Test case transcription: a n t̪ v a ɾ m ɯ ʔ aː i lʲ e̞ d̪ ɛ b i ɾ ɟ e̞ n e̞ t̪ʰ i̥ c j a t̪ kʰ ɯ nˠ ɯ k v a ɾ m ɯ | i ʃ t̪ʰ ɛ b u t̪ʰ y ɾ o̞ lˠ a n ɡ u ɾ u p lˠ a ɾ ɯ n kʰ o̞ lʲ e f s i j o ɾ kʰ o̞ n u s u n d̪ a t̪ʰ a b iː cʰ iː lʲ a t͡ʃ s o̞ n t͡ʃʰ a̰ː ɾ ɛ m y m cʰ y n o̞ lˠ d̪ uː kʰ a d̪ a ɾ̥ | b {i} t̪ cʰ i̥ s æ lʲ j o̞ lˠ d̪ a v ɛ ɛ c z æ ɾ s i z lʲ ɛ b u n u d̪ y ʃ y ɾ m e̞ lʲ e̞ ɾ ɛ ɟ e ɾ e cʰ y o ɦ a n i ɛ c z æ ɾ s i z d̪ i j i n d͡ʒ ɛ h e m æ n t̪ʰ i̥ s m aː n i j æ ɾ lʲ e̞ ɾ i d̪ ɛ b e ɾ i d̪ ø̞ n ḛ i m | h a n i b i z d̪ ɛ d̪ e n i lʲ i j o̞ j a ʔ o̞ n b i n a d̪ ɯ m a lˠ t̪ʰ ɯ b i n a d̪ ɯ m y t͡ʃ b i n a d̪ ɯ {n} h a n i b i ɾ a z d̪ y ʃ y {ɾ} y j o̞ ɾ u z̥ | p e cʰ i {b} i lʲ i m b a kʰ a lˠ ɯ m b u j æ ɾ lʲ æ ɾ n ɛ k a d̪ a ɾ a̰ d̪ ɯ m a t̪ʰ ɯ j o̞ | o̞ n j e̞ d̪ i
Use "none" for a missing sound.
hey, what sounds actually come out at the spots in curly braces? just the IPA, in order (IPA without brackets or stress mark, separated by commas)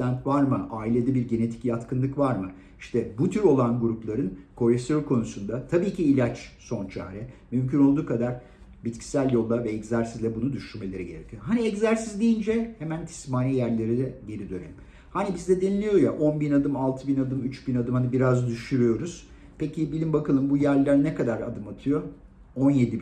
i, m, ɾ, b